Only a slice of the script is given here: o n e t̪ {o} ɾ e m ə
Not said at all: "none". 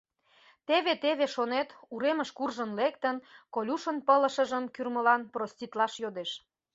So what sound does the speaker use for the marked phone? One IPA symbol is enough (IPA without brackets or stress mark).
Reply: u